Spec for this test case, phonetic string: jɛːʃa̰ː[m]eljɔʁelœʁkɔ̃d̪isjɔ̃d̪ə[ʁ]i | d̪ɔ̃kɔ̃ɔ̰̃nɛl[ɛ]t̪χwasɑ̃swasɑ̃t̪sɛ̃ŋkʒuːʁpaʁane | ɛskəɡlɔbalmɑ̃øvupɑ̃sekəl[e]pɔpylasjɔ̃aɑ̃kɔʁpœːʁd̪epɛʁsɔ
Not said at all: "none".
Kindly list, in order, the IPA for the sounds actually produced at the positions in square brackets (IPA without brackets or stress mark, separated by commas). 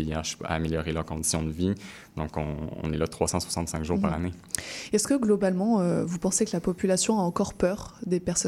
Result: m, v, a, a